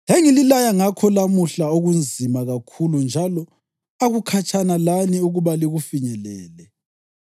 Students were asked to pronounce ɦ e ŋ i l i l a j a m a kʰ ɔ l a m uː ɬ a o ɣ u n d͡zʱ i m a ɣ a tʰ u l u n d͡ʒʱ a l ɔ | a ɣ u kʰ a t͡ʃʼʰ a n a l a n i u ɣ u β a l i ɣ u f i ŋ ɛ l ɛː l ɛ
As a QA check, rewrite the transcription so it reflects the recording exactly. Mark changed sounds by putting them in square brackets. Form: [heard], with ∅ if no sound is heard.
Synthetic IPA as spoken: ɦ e ŋ i l i l a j a [ŋ] a kʰ ɔ l a m [u] ɬ a o ɣ u n d͡zʱ i m a ɣ a [kʰ] u l u n d͡ʒʱ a l ɔ | a ɣ u kʰ a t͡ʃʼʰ a n a l a n i u ɣ u β a l i ɣ u f i [ɲ] ɛ l ɛː l ɛ